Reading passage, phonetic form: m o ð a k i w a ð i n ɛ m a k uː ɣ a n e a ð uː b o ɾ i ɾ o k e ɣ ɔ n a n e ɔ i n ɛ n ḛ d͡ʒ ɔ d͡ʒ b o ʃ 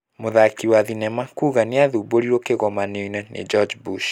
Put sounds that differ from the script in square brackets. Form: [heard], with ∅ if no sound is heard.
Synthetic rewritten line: m o ð a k i w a ð i n ɛ m a k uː ɣ a n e a ð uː b o ɾ i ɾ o k e ɣ ɔ [m] a n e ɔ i n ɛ n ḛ d͡ʒ ɔ d͡ʒ b [u] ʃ

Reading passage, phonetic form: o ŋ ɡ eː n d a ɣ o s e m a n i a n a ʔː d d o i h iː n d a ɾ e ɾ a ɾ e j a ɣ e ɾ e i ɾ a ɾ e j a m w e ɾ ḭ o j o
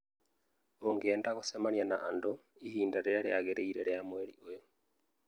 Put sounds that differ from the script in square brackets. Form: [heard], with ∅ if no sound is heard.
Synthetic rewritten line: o ŋ ɡ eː n d a ɣ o s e m a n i a n a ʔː [n] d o i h iː n d a ɾ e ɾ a ɾ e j a ɣ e ɾ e i ɾ [e] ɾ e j a m w e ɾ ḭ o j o

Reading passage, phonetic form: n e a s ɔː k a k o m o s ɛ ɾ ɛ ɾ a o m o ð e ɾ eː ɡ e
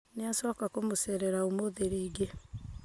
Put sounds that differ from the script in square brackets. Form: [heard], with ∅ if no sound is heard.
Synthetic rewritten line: n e a s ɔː k a k o m o s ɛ ɾ ɛ ɾ a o m o ð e ɾ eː ɡ e

